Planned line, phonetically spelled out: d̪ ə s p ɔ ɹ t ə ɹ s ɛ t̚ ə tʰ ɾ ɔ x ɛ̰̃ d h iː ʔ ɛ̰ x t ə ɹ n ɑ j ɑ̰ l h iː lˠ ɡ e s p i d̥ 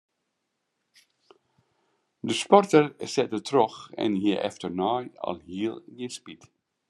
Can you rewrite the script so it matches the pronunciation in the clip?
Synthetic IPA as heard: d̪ ə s p ɔ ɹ t ə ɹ s ɛ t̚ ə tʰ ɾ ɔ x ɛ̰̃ n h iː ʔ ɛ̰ f t ə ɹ n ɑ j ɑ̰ l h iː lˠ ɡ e s p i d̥